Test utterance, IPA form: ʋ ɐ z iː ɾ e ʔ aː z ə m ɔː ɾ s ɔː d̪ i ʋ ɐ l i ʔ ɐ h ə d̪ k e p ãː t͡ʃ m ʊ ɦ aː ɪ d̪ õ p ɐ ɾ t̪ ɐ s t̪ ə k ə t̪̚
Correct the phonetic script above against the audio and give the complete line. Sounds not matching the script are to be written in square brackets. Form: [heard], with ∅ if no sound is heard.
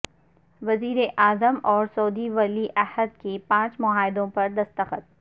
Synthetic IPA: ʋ ɐ z iː ɾ e ʔ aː z ə m ɔː ɾ s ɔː d̪ i ʋ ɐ l i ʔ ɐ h ə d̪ k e p ãː t͡ʃ m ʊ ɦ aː ɪ d̪ õ p ɐ ɾ [d̪] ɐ s t̪ ə [x] ə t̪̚